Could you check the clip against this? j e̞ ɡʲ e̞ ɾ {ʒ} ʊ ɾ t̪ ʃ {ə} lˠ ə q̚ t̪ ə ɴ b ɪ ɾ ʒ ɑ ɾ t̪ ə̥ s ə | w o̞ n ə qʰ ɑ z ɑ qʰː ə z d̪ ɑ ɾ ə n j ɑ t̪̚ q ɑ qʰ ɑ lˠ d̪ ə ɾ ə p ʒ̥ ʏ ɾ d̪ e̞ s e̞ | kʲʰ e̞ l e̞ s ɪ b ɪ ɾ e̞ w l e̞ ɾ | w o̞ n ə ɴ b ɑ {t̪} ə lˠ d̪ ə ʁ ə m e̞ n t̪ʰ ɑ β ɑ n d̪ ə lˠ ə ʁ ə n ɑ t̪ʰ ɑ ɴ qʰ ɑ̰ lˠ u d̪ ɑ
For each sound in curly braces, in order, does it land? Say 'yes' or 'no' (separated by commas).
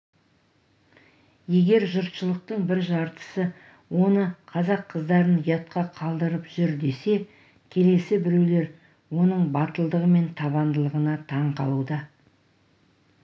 yes, yes, yes